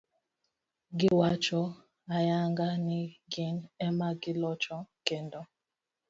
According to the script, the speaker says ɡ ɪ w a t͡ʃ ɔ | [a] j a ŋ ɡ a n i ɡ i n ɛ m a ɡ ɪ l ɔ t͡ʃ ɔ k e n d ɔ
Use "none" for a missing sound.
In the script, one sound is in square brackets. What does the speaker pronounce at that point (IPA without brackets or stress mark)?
a